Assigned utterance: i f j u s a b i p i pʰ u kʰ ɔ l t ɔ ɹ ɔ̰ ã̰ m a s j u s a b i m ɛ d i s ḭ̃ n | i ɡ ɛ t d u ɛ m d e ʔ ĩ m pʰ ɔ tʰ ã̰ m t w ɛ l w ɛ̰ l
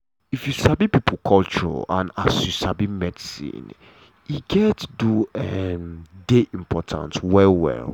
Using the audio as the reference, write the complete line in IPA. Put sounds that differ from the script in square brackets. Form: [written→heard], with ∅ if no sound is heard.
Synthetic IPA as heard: i f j u s a b i p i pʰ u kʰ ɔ l [t→t͡ʃ] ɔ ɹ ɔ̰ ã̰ [m→n] a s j u s a b i m ɛ d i s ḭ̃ n | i ɡ ɛ t d u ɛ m d e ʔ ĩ m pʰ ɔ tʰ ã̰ [m→n] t w ɛ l w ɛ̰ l